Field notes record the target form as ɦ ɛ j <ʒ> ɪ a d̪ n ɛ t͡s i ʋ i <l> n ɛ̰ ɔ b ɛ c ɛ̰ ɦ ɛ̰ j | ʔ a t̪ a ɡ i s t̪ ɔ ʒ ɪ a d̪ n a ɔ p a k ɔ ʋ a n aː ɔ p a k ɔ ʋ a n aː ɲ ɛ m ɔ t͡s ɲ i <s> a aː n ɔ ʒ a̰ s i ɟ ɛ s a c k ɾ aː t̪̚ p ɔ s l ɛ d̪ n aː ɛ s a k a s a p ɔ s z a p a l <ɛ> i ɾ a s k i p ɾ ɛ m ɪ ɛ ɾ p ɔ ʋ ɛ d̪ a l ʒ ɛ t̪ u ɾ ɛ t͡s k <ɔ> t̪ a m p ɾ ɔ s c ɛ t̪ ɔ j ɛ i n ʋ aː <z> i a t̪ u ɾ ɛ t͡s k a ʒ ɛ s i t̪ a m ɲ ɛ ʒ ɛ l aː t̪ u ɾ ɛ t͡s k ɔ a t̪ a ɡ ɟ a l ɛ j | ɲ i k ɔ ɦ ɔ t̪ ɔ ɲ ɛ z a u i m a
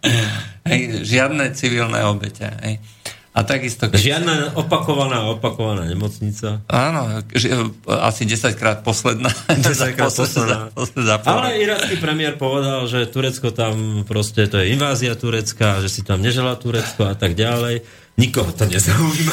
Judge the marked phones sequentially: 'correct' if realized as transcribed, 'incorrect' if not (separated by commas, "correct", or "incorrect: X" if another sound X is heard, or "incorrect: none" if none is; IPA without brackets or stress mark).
correct, correct, incorrect: t͡s, correct, correct, correct